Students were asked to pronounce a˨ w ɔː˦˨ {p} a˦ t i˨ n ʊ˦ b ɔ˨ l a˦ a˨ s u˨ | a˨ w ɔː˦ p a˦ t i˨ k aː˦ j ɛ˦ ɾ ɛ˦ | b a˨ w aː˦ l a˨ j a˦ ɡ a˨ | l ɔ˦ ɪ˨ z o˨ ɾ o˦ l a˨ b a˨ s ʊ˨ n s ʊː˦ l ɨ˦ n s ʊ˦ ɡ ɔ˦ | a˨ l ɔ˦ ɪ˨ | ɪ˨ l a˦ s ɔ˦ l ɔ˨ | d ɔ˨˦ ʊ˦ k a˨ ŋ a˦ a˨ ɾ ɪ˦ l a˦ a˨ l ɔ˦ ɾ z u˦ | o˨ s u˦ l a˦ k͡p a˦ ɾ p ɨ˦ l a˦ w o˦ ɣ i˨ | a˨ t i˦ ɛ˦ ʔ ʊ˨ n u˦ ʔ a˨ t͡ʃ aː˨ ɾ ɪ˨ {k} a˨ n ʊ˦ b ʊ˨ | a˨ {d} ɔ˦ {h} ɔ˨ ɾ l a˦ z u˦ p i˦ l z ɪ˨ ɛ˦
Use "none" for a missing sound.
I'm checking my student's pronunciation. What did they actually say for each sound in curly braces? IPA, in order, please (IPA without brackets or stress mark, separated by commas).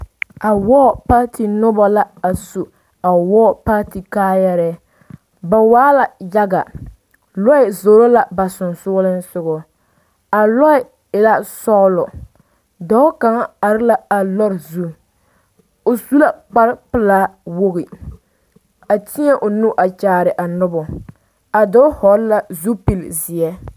p, ʔ, d, h